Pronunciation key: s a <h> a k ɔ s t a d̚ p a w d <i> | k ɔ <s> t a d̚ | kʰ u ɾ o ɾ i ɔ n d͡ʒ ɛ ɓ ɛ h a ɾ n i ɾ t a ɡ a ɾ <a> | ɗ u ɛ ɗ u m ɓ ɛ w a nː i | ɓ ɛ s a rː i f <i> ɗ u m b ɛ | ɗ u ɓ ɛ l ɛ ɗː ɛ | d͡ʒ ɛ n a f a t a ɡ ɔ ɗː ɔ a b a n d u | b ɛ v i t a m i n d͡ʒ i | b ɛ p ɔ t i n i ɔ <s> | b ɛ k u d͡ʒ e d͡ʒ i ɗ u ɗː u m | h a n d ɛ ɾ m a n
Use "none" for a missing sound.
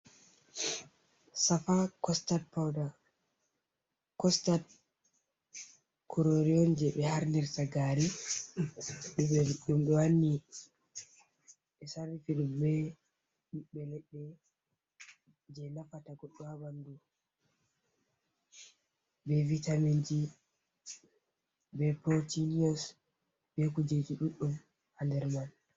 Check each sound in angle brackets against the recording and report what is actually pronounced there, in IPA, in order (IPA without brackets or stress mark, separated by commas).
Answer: f, a, s, i, i, s